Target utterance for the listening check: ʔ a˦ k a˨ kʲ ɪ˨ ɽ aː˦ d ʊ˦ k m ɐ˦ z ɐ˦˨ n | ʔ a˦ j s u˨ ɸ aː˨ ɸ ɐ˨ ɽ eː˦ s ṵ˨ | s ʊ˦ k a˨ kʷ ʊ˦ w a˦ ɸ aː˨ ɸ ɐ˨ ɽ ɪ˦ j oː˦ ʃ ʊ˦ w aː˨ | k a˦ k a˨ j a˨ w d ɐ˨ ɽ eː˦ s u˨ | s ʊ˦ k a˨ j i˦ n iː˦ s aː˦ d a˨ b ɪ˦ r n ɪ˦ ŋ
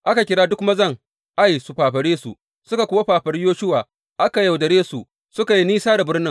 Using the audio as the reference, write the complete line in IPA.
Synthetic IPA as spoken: ʔ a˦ k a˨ kʲ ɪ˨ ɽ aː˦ d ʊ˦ k m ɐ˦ z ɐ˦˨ ŋ | ʔ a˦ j s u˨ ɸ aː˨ ɸ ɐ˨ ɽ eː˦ s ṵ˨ | s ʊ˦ k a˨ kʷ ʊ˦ w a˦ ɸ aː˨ ɸ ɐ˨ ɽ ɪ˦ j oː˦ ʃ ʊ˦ w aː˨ | ʔ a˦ k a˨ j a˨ w d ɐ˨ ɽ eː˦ s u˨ | s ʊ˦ k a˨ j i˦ n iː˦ s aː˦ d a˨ b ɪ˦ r n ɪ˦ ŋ

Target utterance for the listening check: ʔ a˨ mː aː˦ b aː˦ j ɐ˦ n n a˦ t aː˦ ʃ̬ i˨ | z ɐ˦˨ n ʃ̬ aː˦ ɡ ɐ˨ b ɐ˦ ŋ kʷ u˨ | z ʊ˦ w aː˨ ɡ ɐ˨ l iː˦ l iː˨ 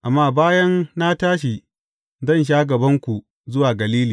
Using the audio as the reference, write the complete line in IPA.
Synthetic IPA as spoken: ʔ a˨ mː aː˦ b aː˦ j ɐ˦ n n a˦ t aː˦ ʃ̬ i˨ | z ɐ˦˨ n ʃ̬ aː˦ ɡ ɐ˨ b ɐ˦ ŋ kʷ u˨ | z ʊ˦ w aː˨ ɡ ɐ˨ l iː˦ l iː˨

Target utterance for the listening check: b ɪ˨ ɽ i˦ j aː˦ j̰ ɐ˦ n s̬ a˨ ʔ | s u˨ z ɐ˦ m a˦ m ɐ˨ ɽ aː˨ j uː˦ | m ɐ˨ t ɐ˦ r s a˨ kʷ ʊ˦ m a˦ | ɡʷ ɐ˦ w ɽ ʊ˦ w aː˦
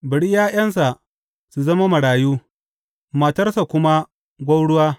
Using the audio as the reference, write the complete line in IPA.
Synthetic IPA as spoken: b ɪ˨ ɽ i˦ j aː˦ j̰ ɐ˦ n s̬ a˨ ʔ | s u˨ z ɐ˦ m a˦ m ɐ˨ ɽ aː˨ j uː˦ | m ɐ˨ t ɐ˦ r s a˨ kʷ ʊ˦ m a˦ | ɡʷ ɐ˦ w ɽ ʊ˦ w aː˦

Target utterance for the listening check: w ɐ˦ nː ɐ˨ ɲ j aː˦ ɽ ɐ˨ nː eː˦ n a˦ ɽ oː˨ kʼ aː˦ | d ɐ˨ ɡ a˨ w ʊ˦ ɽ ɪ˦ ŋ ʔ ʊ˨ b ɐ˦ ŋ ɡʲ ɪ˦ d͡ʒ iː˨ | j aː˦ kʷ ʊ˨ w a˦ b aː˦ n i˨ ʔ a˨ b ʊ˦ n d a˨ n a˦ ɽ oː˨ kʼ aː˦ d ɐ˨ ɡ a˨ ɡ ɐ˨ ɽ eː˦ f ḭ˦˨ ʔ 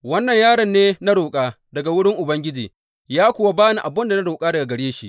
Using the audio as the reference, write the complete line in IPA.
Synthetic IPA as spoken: w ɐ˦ nː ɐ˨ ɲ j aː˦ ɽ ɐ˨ nː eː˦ n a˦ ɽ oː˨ kʼ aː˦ | d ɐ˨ ɡ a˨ w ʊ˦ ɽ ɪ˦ ŋ ʔ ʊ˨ b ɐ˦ ŋ ɡʲ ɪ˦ d͡ʒ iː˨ | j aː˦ kʷ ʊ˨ w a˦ b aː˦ n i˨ ʔ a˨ b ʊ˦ n d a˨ n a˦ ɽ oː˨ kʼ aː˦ d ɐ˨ ɡ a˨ ɡ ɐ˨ ɽ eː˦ ʃ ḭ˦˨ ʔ

